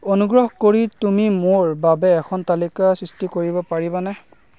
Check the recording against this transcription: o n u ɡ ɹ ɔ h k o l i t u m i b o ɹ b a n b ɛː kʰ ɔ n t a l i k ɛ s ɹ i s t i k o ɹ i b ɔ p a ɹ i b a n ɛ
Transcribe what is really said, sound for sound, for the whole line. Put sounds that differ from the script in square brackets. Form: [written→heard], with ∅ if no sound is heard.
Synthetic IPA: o n u ɡ ɹ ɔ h k o [l→ɹ] i t u m i [b→m] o ɹ b a [n→∅] b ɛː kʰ ɔ n t a l i k [ɛ→a] s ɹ i s t i k o ɹ i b ɔ p a ɹ i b a n ɛ